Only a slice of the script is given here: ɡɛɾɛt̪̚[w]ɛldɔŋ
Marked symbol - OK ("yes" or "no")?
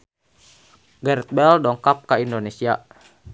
no